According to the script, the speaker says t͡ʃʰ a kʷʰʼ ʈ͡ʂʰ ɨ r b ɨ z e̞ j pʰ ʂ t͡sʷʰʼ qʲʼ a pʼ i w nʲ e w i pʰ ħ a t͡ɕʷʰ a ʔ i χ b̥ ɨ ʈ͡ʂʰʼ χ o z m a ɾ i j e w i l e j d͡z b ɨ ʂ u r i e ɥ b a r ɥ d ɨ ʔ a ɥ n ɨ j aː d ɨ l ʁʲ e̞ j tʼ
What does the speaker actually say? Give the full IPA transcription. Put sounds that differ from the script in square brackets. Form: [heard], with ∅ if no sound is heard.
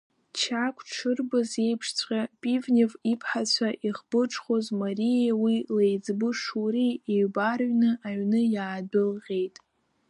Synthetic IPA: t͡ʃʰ a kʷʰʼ ʈ͡ʂʰ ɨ r b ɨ z e̞ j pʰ ʂ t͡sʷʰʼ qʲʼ a pʼ i [v] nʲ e [v] i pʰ ħ a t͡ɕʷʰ a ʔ i χ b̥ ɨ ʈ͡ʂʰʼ χ o z m a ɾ i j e w i l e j d͡z b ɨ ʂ u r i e ɥ b a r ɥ [n] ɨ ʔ a ɥ n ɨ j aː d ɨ l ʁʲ e̞ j tʼ